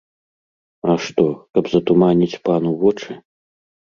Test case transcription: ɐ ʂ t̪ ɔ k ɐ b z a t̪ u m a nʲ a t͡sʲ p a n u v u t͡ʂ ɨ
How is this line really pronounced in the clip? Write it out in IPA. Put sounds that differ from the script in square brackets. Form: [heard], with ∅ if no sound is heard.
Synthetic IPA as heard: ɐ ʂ t̪ ɔ k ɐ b z [ɐ] t̪ u m a nʲ [i] t͡sʲ p a n u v [ɔ] t͡ʂ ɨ